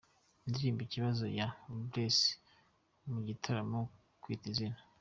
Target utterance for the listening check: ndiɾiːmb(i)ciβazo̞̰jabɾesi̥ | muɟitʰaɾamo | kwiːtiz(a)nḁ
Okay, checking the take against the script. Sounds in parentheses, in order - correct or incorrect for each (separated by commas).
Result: correct, incorrect